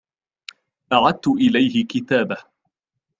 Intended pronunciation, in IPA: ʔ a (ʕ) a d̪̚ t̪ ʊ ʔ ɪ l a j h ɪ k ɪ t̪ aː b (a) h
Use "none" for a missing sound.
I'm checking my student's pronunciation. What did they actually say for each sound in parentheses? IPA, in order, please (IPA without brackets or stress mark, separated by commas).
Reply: ʕ, a